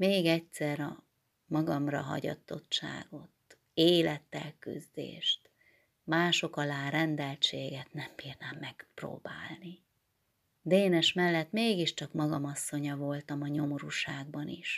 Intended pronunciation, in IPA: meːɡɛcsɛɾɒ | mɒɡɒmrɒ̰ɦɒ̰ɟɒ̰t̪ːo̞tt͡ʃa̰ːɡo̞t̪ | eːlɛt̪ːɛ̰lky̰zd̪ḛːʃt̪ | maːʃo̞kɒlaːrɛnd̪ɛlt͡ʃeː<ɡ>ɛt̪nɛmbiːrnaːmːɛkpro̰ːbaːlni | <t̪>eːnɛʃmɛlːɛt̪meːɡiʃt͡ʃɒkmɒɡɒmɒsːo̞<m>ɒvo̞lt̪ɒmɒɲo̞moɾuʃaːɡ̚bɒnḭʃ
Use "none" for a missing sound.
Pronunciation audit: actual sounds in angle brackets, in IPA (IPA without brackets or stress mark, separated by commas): ɡ, d̪, ɲ